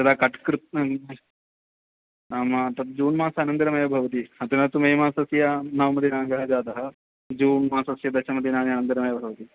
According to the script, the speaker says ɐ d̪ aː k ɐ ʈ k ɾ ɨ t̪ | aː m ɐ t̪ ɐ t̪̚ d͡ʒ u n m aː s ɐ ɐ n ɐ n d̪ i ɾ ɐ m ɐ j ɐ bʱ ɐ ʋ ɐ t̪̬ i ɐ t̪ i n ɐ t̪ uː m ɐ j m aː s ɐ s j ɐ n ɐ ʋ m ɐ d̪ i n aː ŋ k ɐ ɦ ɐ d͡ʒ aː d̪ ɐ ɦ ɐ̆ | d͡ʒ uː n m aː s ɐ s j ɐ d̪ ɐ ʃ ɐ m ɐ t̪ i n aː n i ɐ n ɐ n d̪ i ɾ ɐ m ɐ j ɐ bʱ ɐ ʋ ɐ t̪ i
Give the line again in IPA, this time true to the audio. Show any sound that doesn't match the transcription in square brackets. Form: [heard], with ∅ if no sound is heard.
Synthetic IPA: ɐ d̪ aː k ɐ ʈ k ɾ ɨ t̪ | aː m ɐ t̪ ɐ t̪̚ d͡ʒ [uː] n m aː s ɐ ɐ n ɐ n d̪ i ɾ ɐ m ɐ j ɐ bʱ ɐ ʋ ɐ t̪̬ i ɐ t̪ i n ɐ t̪ [u] m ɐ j m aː s ɐ s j ɐ n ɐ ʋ m ɐ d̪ i n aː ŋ [ɡ] ɐ ɦ ɐ d͡ʒ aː d̪ ɐ ɦ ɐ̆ | d͡ʒ uː n m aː s ɐ s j ɐ d̪ ɐ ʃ ɐ m ɐ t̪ i n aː n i ɐ n ɐ n d̪ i ɾ ɐ m ɐ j ɐ bʱ ɐ ʋ ɐ t̪ i